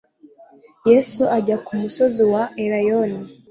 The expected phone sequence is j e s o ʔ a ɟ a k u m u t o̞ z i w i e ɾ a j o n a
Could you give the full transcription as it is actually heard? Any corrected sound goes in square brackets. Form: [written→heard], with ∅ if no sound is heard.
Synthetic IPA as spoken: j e s [o→u] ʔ a ɟ a k u m u [t→s] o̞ z i w [i→a] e ɾ a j o n [a→i]